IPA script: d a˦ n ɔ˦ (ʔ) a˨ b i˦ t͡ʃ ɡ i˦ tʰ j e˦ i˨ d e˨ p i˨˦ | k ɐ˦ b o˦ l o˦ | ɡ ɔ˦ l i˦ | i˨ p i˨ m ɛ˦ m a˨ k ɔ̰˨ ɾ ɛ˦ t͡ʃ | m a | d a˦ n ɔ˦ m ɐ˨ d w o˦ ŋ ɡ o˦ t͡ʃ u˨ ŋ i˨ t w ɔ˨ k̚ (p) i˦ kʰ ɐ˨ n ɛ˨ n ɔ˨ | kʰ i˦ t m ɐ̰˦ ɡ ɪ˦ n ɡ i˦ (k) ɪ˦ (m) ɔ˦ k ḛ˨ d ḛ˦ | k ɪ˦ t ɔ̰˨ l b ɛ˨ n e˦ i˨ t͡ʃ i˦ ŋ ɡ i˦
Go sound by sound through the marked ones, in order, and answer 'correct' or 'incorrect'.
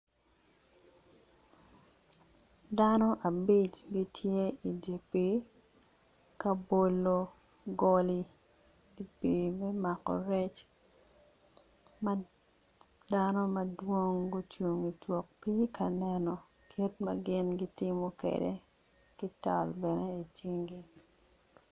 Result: correct, correct, incorrect, correct

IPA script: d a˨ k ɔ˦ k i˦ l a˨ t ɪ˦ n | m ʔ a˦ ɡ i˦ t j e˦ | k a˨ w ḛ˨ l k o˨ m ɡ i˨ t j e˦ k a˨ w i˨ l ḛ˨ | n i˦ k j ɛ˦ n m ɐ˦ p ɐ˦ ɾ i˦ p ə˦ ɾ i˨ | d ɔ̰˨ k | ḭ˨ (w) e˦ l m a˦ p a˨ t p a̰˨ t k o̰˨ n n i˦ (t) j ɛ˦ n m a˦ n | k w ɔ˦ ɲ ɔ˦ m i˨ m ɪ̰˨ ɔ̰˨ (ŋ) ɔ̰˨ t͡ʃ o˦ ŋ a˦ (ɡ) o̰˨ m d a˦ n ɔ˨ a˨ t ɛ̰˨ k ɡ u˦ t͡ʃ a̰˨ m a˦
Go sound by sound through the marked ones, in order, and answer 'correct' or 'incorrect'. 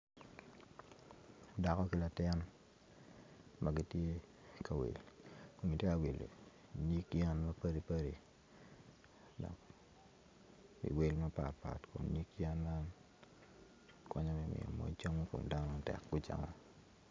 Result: correct, incorrect, incorrect, incorrect

